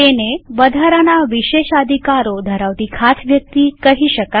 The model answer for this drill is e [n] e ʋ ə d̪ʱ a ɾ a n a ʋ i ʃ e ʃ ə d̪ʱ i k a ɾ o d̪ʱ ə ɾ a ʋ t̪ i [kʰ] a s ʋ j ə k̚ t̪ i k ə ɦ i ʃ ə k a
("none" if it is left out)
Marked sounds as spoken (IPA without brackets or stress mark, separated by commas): n, kʰ